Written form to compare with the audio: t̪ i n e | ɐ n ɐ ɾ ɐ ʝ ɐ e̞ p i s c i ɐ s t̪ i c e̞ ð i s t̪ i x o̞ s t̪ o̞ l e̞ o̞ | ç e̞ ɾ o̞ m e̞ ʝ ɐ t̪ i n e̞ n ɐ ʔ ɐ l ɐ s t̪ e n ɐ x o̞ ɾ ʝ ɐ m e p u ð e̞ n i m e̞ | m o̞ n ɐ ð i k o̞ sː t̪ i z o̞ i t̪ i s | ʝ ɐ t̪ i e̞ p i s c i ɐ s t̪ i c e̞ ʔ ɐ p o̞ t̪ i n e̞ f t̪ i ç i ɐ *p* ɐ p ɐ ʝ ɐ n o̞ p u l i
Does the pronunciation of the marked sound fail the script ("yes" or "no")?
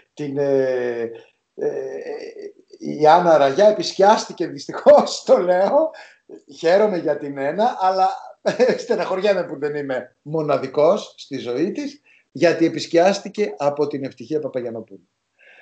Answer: no